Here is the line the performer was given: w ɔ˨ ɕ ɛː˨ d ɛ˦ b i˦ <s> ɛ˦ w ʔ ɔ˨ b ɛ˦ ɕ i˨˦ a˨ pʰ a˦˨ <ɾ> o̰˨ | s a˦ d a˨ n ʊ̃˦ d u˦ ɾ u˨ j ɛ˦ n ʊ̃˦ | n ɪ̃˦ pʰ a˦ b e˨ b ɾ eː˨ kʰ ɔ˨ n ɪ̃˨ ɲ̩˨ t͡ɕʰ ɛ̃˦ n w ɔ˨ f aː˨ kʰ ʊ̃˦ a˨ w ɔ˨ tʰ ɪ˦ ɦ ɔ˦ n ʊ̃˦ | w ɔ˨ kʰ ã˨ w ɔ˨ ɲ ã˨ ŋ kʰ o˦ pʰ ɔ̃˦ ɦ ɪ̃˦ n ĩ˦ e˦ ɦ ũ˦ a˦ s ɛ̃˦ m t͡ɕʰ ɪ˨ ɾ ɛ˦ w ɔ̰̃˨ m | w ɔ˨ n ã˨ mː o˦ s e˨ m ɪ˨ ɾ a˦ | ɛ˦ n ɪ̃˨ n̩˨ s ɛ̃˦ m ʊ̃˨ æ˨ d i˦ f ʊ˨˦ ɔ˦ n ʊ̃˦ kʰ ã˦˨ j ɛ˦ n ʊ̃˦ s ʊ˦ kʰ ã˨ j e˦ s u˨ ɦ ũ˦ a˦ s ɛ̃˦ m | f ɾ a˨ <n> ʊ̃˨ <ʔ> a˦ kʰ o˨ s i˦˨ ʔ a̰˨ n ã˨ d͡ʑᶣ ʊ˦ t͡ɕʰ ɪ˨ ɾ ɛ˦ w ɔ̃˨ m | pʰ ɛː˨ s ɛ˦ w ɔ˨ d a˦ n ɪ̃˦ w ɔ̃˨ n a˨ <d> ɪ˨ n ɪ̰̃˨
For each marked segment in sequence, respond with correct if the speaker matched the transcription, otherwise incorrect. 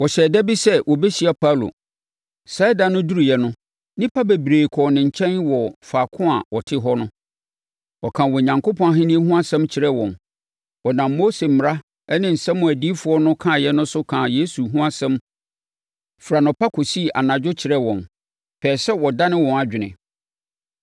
correct, incorrect: l, correct, incorrect: p, incorrect: d͡ʑᶣ

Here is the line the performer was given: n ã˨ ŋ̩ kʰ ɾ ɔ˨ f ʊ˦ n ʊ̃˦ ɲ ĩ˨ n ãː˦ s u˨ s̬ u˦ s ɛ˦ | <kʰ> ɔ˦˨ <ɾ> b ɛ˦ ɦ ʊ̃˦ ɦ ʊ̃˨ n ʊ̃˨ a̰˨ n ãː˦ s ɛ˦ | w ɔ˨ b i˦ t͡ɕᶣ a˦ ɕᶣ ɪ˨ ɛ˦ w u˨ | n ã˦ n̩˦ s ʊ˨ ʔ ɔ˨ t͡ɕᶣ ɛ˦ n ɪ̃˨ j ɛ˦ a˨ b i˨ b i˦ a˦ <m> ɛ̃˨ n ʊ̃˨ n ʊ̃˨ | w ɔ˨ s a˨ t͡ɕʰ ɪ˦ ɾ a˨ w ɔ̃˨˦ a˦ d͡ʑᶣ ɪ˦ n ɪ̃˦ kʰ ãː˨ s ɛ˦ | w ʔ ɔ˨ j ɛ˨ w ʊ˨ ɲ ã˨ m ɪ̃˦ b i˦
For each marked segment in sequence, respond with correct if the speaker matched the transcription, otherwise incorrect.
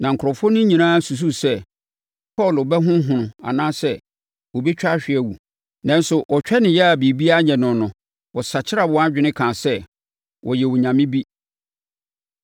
incorrect: pʰ, incorrect: l, incorrect: ɲ

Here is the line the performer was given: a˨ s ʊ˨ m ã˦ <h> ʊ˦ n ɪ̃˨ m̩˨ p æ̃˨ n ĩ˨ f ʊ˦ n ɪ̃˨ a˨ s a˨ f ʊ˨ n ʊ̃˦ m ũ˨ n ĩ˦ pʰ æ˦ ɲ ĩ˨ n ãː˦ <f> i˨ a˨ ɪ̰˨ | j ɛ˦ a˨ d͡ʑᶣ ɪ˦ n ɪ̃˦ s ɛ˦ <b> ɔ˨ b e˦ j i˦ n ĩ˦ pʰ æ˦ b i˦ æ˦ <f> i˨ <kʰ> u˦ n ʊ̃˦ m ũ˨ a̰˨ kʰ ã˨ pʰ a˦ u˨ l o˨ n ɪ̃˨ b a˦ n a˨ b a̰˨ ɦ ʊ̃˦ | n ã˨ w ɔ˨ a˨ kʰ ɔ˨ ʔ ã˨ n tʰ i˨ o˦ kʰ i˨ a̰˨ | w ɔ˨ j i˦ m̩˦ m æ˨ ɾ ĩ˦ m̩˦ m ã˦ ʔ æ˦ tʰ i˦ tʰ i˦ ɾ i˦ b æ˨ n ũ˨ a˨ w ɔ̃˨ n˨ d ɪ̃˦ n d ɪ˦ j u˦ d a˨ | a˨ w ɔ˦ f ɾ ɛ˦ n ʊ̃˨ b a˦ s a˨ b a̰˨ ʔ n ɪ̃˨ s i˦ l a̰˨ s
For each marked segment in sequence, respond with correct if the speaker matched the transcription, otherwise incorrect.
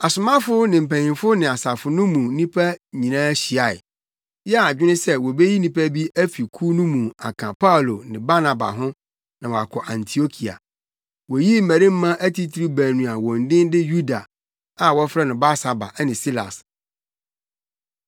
incorrect: f, incorrect: ɕ, incorrect: w, correct, correct

